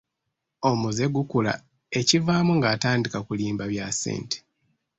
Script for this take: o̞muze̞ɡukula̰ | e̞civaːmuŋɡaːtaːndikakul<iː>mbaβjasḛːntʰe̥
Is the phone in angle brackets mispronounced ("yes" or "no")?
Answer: no